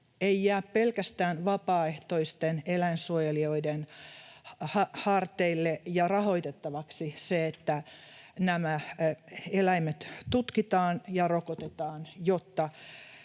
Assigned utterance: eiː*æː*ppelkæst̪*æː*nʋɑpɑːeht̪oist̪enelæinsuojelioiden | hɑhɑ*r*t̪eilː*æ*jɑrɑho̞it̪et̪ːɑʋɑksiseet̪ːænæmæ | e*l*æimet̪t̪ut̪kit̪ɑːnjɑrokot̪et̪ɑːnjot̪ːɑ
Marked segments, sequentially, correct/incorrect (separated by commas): correct, correct, correct, incorrect, correct